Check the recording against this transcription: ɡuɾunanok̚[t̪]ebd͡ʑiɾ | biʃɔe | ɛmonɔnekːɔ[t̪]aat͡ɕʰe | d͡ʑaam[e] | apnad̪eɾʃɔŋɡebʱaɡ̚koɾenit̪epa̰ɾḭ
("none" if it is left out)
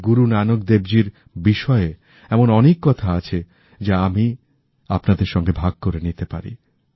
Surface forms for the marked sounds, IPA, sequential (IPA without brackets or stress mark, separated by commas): d̪, t̪ʰ, i